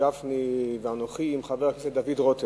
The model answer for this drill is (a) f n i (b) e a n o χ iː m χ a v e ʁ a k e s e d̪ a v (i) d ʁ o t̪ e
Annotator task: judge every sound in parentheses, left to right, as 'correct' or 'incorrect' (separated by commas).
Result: correct, incorrect, correct